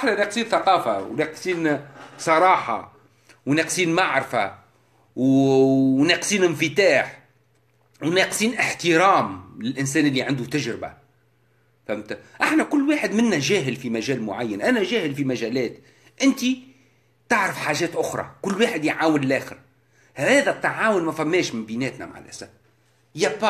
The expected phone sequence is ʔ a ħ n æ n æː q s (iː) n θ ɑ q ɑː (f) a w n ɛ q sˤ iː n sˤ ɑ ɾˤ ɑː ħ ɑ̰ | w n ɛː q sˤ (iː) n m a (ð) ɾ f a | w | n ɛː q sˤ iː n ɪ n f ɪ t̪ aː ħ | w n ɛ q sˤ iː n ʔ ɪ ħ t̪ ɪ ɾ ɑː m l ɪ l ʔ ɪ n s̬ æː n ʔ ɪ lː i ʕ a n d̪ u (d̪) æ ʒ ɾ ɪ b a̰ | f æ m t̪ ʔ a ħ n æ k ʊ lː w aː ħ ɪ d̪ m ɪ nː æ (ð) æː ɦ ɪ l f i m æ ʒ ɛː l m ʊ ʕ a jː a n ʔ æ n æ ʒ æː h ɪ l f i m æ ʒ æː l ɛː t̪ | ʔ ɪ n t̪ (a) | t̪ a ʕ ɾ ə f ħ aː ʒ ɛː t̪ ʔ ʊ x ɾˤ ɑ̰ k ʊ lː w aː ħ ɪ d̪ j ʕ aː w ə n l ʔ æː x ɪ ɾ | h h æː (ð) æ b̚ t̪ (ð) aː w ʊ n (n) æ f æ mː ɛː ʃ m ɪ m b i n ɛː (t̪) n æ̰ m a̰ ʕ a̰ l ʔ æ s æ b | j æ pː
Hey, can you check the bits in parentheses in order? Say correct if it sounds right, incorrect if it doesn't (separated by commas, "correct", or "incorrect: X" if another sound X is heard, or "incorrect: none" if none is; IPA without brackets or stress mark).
correct, correct, correct, incorrect: ʕ, incorrect: t̪, incorrect: ʒ, incorrect: i, correct, incorrect: ʕ, incorrect: m, correct